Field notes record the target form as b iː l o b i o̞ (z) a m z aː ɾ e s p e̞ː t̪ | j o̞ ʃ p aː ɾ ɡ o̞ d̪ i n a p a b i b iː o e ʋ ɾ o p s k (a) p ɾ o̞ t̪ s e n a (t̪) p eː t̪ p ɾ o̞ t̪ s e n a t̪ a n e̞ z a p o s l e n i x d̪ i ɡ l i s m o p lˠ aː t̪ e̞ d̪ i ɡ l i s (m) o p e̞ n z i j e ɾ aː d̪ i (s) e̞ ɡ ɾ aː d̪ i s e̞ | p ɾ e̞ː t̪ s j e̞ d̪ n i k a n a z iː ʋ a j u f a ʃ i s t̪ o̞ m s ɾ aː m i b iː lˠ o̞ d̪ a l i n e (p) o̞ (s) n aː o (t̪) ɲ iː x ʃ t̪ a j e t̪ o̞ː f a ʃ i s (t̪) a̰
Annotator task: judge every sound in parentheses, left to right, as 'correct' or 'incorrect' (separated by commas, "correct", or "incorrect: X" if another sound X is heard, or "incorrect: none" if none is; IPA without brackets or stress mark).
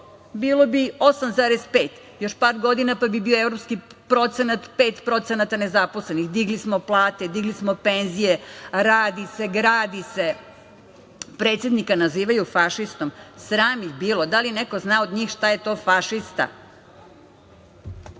incorrect: s, incorrect: i, correct, correct, correct, incorrect: k, incorrect: z, incorrect: d̪, correct